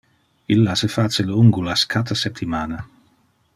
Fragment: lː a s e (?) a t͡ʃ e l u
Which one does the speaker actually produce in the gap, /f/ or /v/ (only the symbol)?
f